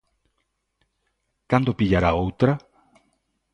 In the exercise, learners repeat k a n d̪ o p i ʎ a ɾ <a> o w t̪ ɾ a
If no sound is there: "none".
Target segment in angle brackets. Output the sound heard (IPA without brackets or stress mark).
a